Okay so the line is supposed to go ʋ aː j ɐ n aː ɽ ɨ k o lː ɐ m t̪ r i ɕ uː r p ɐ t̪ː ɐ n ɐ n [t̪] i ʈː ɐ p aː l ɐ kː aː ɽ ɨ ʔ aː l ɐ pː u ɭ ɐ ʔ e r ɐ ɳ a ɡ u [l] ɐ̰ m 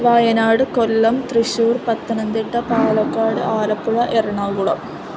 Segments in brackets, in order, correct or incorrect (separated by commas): incorrect, incorrect